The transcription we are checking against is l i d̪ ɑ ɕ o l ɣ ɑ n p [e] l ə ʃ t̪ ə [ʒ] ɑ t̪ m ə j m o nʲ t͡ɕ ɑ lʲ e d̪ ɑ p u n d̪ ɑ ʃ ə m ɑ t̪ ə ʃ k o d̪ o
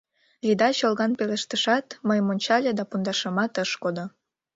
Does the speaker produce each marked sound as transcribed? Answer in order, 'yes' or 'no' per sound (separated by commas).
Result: yes, no